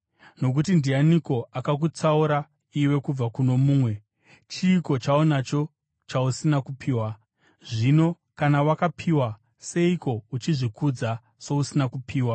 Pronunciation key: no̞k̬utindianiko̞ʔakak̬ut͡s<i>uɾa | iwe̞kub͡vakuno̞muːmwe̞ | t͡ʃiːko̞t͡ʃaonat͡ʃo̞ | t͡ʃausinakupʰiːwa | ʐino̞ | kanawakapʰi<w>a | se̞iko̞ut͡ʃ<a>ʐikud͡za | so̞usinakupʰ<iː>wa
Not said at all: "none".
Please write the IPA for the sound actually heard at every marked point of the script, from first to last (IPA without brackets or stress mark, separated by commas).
a, w, i, iː